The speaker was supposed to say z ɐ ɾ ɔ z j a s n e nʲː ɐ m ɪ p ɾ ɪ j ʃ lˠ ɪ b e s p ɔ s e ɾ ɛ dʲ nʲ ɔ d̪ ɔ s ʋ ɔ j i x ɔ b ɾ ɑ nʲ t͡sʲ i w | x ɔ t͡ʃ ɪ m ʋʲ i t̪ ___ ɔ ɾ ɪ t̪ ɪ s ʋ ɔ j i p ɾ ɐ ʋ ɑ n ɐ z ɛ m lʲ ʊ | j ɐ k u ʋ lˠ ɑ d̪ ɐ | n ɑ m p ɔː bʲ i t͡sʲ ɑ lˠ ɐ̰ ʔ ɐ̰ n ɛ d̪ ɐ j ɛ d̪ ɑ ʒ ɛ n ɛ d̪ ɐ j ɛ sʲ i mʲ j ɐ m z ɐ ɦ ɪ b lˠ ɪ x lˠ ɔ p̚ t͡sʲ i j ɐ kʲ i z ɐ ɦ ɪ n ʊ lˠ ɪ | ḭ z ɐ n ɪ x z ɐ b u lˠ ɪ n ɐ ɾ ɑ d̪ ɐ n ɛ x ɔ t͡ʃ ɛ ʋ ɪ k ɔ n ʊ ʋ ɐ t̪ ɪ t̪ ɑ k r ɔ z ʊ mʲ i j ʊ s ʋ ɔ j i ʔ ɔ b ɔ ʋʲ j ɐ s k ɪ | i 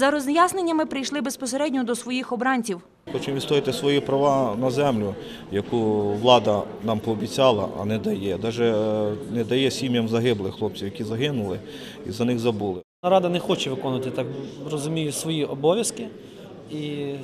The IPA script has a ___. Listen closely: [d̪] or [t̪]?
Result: t̪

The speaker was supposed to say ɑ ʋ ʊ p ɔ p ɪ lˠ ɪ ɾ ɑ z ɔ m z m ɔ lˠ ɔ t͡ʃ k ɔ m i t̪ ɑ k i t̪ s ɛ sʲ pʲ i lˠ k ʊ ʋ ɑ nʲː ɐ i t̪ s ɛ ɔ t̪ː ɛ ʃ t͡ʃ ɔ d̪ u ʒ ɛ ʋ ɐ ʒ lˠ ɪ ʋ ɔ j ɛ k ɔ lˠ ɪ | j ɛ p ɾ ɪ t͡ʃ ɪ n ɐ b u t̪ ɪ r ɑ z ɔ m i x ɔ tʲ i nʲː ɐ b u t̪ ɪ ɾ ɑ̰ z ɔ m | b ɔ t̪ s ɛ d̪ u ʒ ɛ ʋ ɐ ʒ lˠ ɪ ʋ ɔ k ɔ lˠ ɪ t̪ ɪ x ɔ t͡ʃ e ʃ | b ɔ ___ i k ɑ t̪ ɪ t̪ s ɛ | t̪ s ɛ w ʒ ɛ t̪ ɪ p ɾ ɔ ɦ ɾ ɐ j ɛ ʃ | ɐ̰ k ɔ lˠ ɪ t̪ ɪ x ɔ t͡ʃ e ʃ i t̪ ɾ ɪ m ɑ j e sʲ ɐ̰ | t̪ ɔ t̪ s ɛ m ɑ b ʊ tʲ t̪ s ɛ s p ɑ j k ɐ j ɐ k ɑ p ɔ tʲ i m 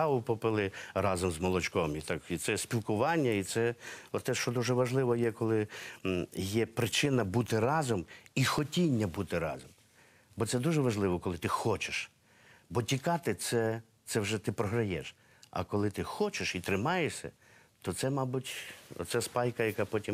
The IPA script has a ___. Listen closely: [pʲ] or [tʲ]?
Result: tʲ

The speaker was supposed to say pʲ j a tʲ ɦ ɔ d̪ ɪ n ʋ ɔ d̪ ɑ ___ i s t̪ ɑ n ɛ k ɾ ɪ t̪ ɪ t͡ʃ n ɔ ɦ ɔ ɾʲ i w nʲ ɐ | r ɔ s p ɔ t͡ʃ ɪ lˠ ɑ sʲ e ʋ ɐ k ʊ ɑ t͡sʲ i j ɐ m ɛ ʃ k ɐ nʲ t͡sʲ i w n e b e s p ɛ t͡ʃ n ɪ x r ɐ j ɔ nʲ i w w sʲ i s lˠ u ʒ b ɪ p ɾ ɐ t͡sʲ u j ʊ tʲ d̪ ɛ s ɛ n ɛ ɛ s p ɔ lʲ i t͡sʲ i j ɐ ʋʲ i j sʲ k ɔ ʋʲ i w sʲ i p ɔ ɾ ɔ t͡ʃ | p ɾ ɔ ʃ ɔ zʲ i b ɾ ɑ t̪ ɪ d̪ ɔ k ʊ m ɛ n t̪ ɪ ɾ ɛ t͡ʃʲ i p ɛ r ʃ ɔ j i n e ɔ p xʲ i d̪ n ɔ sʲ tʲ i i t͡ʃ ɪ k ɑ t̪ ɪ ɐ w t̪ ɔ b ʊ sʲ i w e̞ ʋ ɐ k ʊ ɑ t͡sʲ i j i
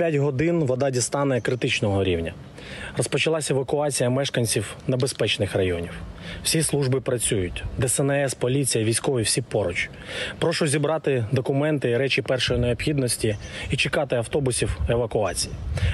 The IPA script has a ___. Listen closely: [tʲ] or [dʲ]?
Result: dʲ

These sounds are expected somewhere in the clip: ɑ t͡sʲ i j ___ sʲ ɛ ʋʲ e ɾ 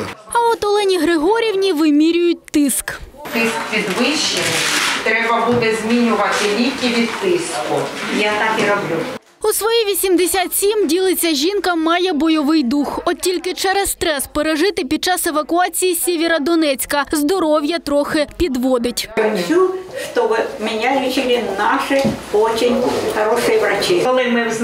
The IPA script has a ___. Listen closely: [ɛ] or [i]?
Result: i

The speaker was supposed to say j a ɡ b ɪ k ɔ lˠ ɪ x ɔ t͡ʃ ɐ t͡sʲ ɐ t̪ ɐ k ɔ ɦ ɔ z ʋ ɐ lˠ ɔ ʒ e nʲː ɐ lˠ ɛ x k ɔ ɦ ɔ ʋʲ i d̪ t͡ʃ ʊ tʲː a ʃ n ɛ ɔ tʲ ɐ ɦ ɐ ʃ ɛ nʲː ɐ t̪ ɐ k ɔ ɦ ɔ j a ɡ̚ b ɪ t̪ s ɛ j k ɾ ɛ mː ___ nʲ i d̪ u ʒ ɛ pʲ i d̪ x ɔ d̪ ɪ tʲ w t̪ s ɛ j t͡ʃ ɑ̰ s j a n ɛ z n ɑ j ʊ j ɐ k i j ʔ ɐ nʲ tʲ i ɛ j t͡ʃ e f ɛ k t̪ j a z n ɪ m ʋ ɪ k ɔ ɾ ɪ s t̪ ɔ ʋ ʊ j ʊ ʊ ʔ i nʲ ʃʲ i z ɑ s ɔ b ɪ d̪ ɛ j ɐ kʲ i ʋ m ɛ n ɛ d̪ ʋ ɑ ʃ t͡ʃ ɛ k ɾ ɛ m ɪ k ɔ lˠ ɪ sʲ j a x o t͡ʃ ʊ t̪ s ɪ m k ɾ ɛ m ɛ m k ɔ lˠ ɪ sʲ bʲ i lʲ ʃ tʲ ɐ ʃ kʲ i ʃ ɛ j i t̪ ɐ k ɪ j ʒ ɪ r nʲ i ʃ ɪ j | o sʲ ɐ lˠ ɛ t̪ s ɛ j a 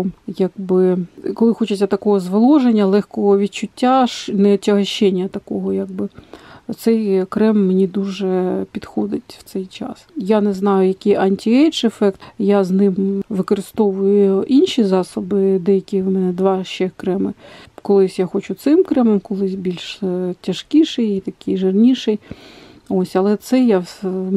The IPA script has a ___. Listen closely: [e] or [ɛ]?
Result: e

